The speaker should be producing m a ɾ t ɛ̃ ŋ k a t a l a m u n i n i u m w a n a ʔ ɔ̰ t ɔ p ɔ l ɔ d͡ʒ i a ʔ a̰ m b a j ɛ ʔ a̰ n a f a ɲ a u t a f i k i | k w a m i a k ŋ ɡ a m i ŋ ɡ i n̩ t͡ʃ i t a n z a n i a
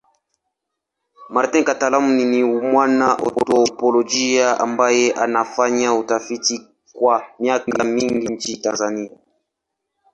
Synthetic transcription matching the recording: m a ɾ t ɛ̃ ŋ k a t a l a m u n i n i u m w a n a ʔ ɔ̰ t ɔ p ɔ l ɔ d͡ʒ i a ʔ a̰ m b a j ɛ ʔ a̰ n a f a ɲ a u t a f i t i | k w a m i a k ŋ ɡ a m i ŋ ɡ i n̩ t͡ʃ i t a n z a n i a

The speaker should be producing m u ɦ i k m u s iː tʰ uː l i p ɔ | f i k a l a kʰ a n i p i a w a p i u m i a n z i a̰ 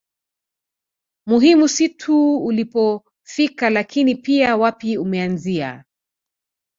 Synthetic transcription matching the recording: m u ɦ i m u s i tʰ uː l i p ɔ | f i k a l a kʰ i n i p i a w a p i u m ɛ a n z i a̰

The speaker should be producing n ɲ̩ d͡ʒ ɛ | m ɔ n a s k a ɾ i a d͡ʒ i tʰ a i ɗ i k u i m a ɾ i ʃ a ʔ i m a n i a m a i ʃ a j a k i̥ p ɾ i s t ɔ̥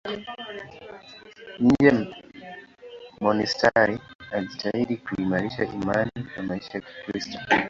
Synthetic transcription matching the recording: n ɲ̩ d͡ʒ ɛ | m ɔ n i s t a ɾ i a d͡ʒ i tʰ a i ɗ i k u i m a ɾ i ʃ a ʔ i m a n i a m a i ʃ a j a k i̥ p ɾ i s t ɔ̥

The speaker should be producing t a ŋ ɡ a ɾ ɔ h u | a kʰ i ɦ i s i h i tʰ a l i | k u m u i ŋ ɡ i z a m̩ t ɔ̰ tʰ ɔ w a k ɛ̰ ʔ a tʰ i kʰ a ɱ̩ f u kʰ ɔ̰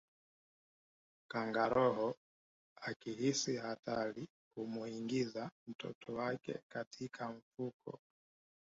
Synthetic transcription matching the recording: k a ŋ ɡ a ɾ ɔ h ɔ | a k i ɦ i s i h a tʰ a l i | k u m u i ŋ ɡ i z a m̩ t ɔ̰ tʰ ɔ w a k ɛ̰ k a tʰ i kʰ a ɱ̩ f u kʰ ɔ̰

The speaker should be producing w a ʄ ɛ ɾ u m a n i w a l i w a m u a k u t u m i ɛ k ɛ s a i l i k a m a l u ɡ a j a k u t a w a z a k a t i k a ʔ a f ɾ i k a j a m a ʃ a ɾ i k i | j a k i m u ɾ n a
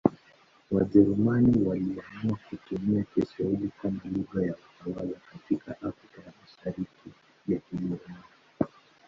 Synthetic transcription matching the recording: w a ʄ ɛ ɾ u m a n i w a l i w a m u a k u t u m i a k ɛ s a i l i k a m a l u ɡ a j a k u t a w a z a k a t i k a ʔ a f ɾ i k a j a m a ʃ a ɾ i k i | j a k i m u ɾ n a

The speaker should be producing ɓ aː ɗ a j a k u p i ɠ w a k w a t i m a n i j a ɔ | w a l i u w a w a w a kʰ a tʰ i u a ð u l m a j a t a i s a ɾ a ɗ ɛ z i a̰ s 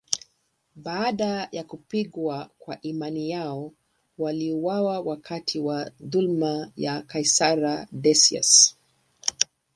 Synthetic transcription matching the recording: ɓ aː ɗ a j a k u p i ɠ w a k w a ʔ i m a n i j a ɔ | w a l i u w a w a w a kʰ a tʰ i w a ð u l m a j a k a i s a ɾ a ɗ ɛ s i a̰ s

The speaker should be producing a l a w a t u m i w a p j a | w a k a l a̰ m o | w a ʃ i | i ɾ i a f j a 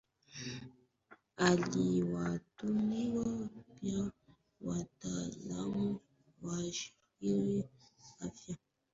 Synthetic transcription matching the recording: a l i w a t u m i w a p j a | w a t a l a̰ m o | w a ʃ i | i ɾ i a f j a

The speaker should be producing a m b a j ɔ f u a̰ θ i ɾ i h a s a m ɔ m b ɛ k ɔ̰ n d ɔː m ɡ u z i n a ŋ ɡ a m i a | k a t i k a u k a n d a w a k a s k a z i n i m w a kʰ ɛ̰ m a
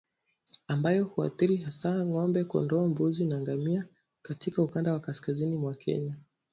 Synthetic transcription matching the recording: a m b a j ɔ h u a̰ θ i ɾ i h a s a ŋ ɔ m b ɛ k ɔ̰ n d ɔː m b u z i n a ŋ ɡ a m i a | k a t i k a u k a n d a w a k a s k a z i n i m w a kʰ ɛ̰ ɲ a

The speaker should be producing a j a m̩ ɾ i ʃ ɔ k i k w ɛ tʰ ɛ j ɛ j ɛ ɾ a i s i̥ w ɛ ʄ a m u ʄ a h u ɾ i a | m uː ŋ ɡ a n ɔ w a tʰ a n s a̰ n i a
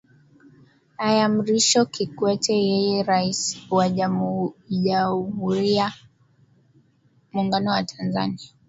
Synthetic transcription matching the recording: a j a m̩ ɾ i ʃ ɔ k i k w ɛ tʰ ɛ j ɛ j ɛ ɾ a i s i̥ w a ʄ a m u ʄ a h u ɾ i a | m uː ŋ ɡ a n ɔ w a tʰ a n z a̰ n i a

